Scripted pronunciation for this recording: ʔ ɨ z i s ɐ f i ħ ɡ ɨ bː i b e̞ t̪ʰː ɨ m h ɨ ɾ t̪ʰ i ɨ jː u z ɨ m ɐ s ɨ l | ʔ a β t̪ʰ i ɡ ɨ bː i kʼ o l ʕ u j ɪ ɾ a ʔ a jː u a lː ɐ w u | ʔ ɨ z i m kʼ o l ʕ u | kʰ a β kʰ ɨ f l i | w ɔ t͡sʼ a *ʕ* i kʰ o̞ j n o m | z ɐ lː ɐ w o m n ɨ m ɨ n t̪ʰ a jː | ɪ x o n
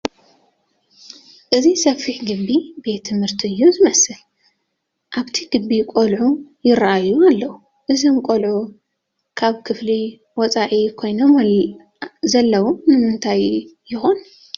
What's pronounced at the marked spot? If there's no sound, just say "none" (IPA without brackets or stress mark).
ʕ